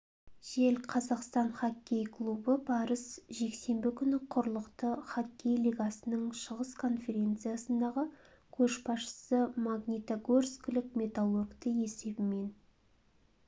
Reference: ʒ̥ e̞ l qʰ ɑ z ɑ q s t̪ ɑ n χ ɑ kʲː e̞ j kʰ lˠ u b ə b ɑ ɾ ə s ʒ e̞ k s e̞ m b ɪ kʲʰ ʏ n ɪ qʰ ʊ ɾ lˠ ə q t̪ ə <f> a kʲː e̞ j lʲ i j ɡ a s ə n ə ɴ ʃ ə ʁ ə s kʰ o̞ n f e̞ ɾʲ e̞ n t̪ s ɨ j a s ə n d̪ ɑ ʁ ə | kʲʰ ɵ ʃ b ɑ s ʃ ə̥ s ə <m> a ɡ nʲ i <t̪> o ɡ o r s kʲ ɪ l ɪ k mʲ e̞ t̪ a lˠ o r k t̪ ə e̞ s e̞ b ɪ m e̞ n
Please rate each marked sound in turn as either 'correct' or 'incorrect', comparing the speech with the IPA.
incorrect: χ, correct, correct

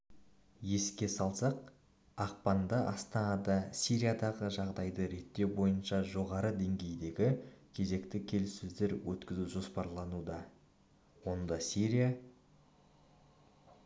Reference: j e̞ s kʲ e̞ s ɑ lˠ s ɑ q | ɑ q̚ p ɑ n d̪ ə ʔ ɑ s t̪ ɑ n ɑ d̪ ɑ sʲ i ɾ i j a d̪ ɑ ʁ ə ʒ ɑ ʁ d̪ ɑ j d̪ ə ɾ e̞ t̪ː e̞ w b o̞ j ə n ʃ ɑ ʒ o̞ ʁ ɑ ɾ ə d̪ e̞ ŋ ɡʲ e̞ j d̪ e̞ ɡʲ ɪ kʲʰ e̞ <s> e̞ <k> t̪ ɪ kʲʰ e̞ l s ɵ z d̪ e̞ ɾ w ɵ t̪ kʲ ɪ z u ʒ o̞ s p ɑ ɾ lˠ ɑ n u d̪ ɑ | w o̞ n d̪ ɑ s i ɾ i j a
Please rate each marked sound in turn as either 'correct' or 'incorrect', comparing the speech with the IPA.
incorrect: z, correct

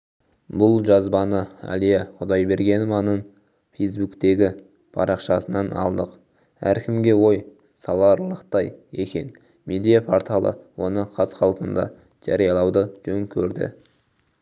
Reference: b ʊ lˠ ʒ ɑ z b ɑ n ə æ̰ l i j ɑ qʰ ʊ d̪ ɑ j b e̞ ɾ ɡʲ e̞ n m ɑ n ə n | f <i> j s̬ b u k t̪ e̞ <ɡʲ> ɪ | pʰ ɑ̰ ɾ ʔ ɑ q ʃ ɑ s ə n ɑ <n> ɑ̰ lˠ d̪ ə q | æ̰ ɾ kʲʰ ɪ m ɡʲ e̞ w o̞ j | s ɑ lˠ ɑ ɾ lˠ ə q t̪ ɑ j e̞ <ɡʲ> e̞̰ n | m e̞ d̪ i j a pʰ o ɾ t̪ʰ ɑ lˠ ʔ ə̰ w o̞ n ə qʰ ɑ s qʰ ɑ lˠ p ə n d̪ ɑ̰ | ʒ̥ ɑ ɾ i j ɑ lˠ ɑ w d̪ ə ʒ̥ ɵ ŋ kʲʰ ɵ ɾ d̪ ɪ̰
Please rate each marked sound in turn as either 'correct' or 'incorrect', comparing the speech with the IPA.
incorrect: e, correct, correct, incorrect: kʲ

